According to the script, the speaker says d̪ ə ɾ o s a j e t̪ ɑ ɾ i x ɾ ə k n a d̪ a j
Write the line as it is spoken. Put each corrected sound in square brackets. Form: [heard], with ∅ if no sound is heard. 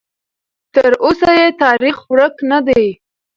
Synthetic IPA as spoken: [t̪] ə ɾ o s a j e t̪ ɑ ɾ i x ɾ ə k n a d̪ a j